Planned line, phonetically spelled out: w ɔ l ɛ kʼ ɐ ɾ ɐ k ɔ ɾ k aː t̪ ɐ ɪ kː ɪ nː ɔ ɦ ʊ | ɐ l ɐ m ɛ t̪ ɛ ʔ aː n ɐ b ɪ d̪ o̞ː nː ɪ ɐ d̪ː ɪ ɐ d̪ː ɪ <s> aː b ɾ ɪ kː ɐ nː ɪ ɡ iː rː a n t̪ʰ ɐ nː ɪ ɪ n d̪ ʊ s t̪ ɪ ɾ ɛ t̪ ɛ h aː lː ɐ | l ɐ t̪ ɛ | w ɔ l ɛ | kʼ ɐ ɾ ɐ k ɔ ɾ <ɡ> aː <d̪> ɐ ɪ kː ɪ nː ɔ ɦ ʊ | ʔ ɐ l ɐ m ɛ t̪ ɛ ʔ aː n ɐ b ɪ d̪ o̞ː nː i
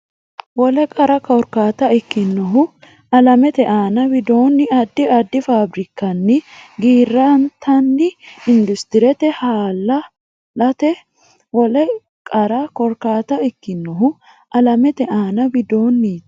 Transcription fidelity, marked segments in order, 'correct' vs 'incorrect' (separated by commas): incorrect, incorrect, incorrect